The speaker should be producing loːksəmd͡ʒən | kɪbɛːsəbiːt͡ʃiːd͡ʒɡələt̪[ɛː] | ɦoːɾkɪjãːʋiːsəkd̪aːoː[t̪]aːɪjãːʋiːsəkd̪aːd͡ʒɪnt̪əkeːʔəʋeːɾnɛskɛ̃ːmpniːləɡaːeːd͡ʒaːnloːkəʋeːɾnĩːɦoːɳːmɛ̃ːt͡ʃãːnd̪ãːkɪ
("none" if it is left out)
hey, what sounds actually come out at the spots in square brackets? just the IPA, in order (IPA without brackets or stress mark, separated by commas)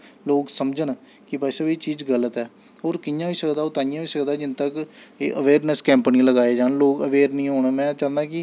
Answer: ɛː, t̪